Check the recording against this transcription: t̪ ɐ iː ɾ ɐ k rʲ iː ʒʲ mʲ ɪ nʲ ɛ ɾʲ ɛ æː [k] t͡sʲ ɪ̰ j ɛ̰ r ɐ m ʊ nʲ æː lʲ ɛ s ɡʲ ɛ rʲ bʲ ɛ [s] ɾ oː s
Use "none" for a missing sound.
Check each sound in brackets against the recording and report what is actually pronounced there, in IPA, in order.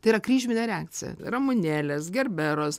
k, none

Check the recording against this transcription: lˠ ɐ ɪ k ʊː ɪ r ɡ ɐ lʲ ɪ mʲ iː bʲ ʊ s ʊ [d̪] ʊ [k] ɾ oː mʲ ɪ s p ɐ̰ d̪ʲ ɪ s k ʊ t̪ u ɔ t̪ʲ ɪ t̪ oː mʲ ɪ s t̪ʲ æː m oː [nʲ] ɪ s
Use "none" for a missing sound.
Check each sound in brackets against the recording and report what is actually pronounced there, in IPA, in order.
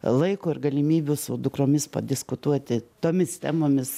d̪, k, mʲ

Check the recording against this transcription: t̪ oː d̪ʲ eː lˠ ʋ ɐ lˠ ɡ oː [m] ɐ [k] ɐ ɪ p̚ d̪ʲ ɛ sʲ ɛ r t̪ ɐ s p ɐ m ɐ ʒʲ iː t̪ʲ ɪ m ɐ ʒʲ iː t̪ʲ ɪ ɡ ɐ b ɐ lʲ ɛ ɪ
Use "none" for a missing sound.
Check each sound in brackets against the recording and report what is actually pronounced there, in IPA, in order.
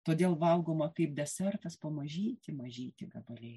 m, k

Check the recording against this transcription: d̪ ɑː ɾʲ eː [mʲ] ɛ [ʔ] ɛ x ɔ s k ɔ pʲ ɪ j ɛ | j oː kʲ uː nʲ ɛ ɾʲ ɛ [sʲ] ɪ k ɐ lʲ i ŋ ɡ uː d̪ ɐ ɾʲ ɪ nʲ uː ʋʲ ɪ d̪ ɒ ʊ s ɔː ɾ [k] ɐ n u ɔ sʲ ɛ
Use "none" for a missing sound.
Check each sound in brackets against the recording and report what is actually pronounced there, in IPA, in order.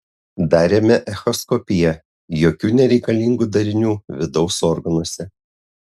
mʲ, ʔ, none, ɡ

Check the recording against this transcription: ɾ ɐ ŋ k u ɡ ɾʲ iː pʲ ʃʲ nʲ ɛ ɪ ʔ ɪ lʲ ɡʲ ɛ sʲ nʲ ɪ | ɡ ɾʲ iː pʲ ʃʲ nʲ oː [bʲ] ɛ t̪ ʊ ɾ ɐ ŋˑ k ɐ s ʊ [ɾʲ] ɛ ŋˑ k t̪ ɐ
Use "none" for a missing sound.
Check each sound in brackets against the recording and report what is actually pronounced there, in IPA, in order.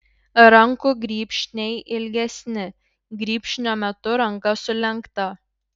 mʲ, lʲ

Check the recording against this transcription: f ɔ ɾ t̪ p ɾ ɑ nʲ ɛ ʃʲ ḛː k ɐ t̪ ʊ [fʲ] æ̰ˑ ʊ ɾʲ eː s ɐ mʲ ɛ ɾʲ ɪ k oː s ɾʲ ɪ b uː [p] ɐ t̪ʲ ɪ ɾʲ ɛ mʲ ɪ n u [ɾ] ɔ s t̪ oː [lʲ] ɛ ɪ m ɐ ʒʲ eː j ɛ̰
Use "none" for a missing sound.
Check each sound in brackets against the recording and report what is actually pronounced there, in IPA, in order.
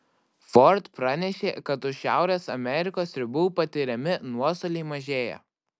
ʃʲ, p, none, lʲ

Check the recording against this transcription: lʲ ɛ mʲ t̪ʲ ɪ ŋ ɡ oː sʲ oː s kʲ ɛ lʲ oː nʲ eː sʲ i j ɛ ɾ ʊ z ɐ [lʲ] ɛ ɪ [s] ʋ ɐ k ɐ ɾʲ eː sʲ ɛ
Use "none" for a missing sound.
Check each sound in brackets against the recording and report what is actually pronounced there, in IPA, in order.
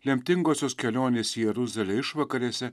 lʲ, ʃ

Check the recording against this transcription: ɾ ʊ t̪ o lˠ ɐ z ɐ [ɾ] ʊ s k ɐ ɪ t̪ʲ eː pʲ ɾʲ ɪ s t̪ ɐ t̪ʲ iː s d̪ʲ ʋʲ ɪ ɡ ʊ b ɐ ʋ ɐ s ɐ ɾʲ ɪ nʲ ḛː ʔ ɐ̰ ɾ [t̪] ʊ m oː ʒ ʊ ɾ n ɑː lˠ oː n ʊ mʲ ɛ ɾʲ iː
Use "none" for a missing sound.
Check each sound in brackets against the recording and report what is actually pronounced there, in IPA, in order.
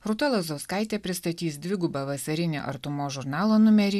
none, t̪

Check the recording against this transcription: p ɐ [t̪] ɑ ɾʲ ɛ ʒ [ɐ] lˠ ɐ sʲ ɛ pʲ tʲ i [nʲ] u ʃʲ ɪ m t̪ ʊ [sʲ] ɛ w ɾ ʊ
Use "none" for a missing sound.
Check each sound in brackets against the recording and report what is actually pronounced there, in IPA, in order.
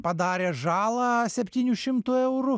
d̪, ɑ, nʲ, none

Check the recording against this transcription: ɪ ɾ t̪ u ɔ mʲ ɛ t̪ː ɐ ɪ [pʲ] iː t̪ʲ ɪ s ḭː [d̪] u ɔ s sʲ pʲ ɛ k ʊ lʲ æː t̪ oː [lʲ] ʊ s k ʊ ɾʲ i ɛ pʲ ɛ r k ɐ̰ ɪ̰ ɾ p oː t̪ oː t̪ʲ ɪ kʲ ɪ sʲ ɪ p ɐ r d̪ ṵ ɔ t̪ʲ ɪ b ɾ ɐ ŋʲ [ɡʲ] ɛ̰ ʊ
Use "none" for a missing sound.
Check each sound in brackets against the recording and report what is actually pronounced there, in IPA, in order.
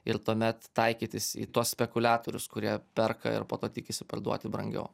kʲ, t̪, ɾʲ, ɡʲ

